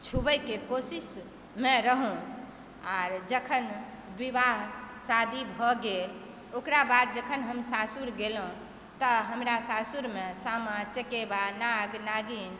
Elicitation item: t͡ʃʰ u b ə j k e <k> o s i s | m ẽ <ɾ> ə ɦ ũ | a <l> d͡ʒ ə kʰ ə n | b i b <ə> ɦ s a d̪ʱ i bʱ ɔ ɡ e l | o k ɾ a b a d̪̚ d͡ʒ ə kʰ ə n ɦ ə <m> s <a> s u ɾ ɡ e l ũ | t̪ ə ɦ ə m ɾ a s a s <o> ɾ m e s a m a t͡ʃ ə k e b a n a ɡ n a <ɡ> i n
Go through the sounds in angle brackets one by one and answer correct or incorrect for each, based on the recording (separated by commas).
correct, correct, incorrect, incorrect, correct, correct, incorrect, correct